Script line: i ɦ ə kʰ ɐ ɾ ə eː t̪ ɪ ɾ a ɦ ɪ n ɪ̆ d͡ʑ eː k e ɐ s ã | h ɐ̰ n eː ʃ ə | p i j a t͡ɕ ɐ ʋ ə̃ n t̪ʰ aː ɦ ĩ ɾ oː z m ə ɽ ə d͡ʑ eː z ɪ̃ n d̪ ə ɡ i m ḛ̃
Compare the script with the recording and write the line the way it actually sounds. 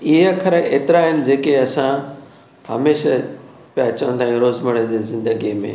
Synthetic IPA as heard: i ɦ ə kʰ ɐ ɾ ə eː t̪ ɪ ɾ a ɦ ɪ n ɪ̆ d͡ʑ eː k e ɐ s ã | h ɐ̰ m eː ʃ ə | p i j a t͡ɕ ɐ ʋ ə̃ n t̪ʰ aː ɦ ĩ ɾ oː z m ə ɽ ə d͡ʑ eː z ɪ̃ n d̪ ə ɡ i m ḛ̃